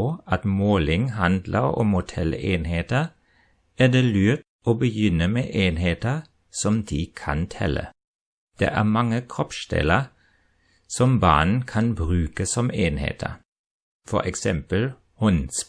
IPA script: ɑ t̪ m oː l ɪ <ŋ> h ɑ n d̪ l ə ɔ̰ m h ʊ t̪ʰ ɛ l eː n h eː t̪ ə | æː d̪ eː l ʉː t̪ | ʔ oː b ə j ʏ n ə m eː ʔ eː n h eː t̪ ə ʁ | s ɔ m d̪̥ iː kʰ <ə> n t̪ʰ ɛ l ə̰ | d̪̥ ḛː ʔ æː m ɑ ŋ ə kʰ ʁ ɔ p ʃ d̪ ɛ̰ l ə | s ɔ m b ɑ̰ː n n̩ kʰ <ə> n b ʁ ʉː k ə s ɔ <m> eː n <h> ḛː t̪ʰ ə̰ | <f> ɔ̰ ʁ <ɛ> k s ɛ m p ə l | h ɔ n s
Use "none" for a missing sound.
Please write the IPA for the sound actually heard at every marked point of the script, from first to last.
ŋ, ɑ, ɑ, m, h, f, ɛ

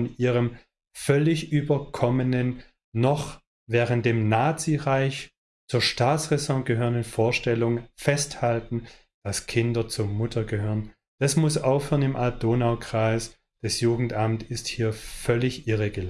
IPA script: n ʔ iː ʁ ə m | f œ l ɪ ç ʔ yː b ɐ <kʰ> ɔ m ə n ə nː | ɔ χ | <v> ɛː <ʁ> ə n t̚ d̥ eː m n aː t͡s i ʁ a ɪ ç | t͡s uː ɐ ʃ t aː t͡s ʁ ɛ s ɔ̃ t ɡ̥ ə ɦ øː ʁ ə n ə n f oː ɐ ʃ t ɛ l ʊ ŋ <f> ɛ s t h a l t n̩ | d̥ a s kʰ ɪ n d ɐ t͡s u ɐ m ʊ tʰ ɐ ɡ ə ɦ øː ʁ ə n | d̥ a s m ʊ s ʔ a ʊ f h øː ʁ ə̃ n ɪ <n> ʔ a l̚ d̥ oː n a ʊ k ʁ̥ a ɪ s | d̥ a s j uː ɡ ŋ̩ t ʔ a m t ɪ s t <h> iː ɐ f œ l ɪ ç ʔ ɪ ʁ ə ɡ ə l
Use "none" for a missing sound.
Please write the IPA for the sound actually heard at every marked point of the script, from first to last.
kʰ, v, ʁ, f, m, h

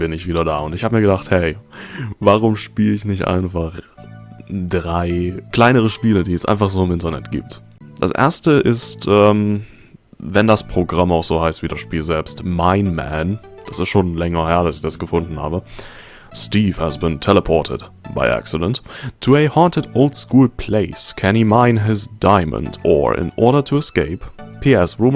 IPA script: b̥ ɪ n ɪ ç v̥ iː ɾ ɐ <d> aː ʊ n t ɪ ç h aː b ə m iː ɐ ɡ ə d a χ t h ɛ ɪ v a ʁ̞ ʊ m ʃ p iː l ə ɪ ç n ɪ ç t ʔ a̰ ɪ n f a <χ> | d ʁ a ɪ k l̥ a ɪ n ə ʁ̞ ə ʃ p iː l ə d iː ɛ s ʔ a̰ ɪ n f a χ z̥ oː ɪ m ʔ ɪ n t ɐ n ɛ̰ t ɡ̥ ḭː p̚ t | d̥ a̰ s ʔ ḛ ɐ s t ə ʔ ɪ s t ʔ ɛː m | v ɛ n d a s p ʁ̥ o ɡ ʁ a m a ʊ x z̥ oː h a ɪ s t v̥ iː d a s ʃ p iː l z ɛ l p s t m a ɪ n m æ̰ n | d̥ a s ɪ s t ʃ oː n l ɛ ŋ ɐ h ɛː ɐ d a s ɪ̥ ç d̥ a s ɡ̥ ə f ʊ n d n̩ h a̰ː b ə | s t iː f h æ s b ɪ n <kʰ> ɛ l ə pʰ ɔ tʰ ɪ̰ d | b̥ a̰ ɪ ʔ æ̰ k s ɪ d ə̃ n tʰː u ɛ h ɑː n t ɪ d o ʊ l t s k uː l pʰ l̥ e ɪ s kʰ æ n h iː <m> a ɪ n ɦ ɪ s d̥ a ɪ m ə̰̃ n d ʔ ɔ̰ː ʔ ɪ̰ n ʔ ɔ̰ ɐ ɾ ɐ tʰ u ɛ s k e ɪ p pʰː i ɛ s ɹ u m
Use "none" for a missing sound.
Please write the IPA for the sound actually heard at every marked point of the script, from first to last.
d, χ, tʰ, m

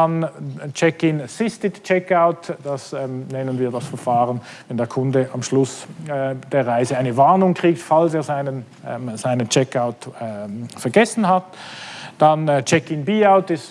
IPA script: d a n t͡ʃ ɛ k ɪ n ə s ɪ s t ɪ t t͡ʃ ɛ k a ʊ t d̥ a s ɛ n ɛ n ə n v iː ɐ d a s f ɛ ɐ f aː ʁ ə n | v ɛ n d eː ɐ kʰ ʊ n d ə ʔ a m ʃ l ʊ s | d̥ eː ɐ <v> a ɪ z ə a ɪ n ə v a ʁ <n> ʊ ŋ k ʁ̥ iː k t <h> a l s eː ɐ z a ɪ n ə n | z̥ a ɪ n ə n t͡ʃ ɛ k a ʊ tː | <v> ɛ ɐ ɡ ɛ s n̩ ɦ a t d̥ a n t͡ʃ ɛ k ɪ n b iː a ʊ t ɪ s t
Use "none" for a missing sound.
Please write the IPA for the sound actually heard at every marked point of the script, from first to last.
ʁ, n, f, f

